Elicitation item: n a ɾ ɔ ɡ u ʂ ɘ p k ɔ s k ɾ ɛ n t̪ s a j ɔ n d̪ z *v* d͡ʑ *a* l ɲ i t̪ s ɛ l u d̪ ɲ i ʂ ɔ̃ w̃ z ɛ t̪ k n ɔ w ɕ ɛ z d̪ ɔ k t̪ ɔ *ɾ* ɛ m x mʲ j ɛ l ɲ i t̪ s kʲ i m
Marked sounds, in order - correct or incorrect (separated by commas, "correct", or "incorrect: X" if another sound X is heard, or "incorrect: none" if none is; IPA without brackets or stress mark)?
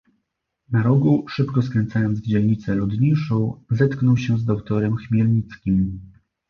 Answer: correct, incorrect: ɛ, correct